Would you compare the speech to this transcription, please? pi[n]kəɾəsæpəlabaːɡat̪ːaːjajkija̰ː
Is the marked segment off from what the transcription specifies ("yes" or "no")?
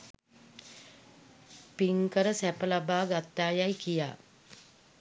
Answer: yes